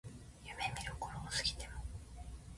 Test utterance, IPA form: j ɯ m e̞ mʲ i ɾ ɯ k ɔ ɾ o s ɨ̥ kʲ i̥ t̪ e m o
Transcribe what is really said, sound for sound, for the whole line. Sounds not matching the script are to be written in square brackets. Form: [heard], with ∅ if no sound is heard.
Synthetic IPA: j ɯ m e̞ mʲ i ɾ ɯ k [o] ɾ o s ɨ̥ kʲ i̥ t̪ e m o

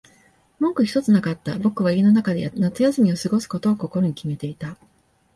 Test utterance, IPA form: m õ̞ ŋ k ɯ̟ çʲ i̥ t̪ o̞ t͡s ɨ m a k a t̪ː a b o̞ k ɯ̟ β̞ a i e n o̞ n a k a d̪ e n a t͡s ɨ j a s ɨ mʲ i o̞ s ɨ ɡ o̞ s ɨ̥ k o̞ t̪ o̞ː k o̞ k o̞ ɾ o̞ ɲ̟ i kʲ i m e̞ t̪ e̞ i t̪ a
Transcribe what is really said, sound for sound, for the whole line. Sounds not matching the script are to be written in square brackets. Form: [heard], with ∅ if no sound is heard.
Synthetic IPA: m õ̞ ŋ k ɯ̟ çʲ i̥ t̪ o̞ t͡s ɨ [n] a k a t̪ː a b o̞ k ɯ̟ β̞ a i e n o̞ n a k a d̪ e n a t͡s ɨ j a s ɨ mʲ i o̞ s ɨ ɡ o̞ s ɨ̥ k o̞ t̪ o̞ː k o̞ k o̞ ɾ o̞ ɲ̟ i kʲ i m e̞ t̪ e̞ i t̪ a

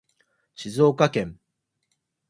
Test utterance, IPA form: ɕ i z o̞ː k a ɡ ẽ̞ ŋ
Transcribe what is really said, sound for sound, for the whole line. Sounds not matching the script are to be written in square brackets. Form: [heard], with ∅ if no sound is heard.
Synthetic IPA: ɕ i z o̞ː k a [k] ẽ̞ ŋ

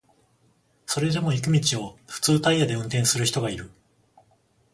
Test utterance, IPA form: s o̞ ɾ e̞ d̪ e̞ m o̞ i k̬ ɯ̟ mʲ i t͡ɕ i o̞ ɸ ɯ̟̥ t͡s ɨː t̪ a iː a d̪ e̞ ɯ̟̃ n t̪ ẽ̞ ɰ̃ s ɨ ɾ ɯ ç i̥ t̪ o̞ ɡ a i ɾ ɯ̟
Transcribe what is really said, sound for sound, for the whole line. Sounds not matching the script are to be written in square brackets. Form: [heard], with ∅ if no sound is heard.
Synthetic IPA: s o̞ ɾ e̞ d̪ e̞ m o̞ i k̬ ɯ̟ mʲ i t͡ɕ i o̞ ɸ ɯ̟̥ t͡s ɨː t̪ a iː a d̪ e̞ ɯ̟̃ n t̪ ẽ̞ ɰ̃ s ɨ ɾ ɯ ç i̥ t̪ o̞ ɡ a i ɾ ɯ̟

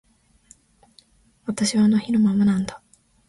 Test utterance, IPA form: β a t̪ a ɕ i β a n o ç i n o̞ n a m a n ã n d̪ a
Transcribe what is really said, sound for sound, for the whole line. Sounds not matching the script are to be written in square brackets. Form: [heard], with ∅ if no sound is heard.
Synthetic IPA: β a t̪ a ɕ i β a n o ç i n o̞ [m] a m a n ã n d̪ a

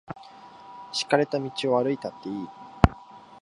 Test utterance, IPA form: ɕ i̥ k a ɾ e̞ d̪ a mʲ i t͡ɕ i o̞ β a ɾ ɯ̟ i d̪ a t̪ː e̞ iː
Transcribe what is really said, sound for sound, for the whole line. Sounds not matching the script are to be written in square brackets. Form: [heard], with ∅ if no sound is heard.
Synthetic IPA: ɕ i̥ k a ɾ e̞ [t̪] a mʲ i t͡ɕ i o̞ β a ɾ ɯ̟ i [t̪] a t̪ː e̞ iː

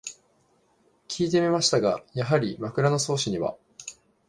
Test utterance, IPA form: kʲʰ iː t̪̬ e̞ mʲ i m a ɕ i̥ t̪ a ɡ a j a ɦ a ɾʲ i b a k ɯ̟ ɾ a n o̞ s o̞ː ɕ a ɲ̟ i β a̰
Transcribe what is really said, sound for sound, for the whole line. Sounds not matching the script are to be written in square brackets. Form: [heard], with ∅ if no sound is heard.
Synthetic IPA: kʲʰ iː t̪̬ e̞ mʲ i m a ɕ i̥ t̪ a ɡ a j a ɦ a ɾʲ i [m] a k ɯ̟ ɾ a n o̞ s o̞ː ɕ [i] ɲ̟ i β a̰

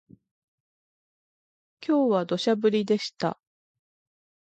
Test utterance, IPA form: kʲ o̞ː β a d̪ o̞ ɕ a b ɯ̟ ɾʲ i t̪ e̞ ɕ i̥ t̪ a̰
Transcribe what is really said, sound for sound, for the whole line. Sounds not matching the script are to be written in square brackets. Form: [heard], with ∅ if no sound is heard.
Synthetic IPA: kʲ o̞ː β a d̪ o̞ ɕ a b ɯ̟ ɾʲ i [d̪] e̞ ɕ i̥ t̪ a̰

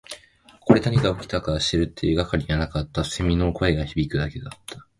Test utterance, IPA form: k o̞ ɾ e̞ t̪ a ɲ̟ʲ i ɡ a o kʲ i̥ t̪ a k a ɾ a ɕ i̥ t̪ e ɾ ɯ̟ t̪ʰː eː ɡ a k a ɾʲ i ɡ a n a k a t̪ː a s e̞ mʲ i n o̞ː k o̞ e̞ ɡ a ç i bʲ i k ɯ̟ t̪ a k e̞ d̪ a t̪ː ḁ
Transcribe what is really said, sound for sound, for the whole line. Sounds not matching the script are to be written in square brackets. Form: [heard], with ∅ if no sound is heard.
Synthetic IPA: k o̞ ɾ e̞ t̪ a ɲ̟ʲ i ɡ a o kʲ i̥ t̪ a k a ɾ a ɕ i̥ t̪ e ɾ ɯ̟ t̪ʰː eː ɡ a k a ɾʲ i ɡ a n a k a t̪ː a s e̞ mʲ i n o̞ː k o̞ e̞ ɡ a ç i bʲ i k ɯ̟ [d̪] a k e̞ d̪ a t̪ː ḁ

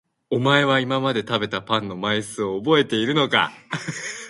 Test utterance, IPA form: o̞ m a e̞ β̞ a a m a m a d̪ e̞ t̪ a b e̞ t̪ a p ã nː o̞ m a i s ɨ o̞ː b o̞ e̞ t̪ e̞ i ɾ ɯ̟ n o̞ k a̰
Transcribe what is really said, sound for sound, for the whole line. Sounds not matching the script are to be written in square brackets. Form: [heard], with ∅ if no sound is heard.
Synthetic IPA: o̞ m a e̞ β̞ a [i] m a m a d̪ e̞ t̪ a b e̞ t̪ a p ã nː o̞ m a i s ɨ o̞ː b o̞ e̞ t̪ e̞ i ɾ ɯ̟ n o̞ k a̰

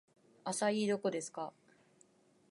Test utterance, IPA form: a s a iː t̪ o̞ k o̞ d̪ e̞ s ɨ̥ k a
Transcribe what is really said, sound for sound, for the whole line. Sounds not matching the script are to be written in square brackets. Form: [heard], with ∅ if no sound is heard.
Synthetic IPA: a s a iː [d̪] o̞ k o̞ d̪ e̞ s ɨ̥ k a

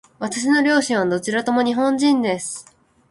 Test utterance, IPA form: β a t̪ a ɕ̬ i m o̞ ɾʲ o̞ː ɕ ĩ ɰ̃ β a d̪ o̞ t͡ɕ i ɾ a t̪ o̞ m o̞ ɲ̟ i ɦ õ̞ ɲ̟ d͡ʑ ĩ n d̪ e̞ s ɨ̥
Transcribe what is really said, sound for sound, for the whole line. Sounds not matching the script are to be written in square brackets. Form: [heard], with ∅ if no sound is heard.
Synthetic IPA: β a t̪ a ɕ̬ i [n] o̞ ɾʲ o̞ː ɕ ĩ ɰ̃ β a d̪ o̞ t͡ɕ i ɾ a t̪ o̞ m o̞ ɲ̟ i ɦ õ̞ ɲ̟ d͡ʑ ĩ n d̪ e̞ s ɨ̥

